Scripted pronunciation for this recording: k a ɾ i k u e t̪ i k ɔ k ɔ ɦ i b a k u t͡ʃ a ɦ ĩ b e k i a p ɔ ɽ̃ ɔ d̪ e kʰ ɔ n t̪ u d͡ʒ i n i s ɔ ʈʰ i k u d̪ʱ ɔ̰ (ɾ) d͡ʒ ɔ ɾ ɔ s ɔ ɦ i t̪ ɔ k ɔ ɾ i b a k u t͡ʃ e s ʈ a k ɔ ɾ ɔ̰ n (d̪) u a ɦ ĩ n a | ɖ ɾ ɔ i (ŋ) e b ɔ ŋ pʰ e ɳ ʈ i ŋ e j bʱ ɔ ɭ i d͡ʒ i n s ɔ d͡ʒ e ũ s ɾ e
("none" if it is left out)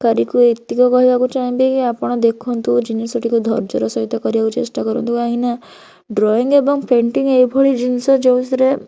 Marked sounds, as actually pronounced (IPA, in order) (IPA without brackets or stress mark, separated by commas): ɾ, t̪, ŋ